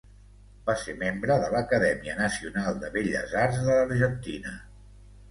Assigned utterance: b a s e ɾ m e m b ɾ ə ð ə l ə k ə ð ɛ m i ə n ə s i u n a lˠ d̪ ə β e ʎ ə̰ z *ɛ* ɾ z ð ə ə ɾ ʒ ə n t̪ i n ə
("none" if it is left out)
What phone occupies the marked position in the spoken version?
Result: a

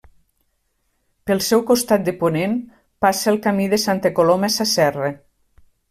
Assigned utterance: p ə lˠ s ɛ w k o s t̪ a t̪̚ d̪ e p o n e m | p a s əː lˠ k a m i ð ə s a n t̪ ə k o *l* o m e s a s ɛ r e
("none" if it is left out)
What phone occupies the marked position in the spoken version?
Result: l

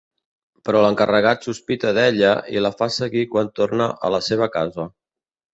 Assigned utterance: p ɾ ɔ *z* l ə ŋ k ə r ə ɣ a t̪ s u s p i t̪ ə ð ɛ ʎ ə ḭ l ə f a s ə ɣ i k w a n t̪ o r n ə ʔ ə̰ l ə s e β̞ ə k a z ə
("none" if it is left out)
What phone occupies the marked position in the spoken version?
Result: none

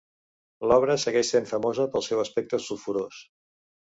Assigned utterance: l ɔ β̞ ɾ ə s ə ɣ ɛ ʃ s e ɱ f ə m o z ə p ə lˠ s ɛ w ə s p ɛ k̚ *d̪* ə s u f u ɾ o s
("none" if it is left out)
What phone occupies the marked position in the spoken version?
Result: t̪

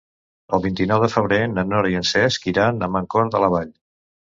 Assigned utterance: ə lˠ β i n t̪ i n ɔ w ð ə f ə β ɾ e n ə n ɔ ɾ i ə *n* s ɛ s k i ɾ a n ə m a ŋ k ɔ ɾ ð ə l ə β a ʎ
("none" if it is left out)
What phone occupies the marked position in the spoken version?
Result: n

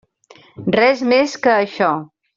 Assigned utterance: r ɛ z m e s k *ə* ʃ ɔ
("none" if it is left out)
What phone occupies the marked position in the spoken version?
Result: əː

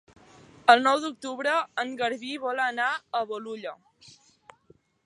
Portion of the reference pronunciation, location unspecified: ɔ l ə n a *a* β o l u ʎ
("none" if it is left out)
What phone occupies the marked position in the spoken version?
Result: ə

